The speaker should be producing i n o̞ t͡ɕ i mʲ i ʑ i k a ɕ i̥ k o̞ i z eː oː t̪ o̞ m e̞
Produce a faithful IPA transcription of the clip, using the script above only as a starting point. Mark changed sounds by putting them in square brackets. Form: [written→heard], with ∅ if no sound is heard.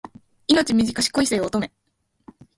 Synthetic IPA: i n o̞ t͡ɕ i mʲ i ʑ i k a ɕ i̥ k o̞ i [z→s] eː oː t̪ o̞ m e̞